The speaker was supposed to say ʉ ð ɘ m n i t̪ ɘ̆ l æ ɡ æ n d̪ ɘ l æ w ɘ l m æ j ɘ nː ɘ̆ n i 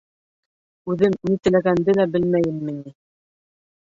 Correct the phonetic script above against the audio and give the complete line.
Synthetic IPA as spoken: ʉ ð ɘ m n i t̪ ɘ̆ l æ ɡ æ n d̪ ɘ l æ b ɘ l m æ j ɘ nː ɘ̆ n i